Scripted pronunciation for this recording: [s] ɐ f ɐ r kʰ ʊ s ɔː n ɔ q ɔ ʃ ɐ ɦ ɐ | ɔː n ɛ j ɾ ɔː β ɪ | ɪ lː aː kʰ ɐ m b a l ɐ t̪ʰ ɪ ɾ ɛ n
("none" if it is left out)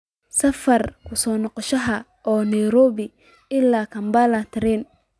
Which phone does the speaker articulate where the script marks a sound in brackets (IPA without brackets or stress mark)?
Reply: s